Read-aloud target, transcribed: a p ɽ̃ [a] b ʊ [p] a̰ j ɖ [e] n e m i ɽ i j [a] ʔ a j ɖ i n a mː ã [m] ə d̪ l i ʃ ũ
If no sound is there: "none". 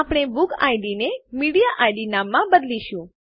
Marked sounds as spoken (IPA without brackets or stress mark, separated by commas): e, k, i, a, b